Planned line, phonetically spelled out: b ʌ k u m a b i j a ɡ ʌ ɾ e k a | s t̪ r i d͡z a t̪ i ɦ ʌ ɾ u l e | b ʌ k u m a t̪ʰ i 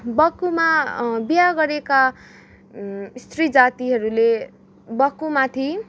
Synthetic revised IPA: b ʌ k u m a b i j a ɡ ʌ ɾ e k a | s t̪ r i d͡z a t̪ i ɦ ʌ ɾ u l e | b ʌ k u m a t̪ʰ i